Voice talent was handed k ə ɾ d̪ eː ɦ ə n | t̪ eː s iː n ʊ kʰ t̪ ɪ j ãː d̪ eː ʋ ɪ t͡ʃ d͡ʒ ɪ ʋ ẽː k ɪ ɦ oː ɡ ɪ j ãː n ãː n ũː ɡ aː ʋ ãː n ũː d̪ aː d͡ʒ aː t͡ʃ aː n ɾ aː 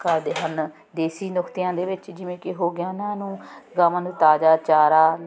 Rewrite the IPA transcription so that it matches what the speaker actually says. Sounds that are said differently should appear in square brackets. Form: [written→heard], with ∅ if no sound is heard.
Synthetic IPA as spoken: k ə ɾ d̪ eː ɦ ə n | [t̪→d̪] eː s iː n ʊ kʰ t̪ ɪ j ãː d̪ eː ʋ ɪ t͡ʃ d͡ʒ ɪ ʋ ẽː k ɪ ɦ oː ɡ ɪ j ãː n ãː n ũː ɡ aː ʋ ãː n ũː [d̪→t̪] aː d͡ʒ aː t͡ʃ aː [n→∅] ɾ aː